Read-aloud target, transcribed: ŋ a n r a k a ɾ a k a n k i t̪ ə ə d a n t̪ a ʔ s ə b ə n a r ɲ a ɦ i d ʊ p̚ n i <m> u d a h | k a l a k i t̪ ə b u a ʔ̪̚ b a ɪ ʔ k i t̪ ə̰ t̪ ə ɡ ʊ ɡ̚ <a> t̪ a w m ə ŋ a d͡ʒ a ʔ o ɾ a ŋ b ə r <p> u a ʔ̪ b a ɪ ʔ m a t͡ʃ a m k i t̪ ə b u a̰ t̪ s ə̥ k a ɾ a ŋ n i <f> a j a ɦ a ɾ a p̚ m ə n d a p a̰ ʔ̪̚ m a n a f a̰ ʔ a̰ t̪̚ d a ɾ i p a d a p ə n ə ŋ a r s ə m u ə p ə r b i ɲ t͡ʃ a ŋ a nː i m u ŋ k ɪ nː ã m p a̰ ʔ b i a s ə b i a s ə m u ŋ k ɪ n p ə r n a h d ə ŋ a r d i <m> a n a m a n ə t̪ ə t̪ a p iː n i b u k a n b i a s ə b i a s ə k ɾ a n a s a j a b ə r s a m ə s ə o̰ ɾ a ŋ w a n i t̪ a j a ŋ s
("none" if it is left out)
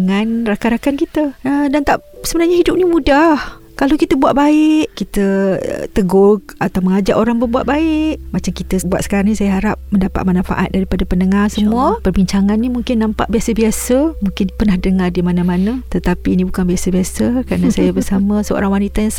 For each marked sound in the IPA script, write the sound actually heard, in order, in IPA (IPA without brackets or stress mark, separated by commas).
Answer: m, a, b, s, m